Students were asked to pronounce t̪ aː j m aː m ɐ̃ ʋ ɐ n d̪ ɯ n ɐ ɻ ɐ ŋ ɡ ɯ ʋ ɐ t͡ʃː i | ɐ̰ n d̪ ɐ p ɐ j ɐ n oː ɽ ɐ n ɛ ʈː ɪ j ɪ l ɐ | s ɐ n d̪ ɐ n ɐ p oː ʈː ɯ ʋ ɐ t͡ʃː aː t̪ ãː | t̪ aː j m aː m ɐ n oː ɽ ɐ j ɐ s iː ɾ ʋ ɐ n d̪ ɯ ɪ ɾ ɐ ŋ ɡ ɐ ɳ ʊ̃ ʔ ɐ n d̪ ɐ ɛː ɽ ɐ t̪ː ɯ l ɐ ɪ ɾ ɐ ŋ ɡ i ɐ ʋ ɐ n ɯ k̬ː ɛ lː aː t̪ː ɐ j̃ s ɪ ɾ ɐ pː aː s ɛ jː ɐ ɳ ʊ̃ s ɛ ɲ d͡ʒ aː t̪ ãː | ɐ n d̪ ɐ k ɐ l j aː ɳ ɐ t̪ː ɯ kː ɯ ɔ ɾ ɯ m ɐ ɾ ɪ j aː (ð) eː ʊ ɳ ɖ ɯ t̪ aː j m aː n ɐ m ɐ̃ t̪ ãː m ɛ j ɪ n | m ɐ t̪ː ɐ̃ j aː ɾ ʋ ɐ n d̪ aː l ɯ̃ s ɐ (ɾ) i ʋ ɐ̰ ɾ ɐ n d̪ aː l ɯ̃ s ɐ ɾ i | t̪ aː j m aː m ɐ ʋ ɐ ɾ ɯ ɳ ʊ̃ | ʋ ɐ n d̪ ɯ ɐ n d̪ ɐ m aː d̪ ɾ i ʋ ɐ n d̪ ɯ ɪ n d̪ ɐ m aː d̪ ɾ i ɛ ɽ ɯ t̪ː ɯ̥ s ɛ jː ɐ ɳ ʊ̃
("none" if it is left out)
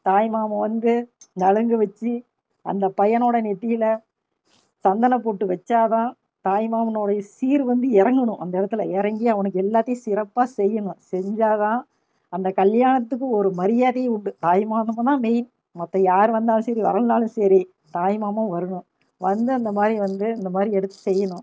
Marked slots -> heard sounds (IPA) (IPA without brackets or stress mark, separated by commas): ð, ɾ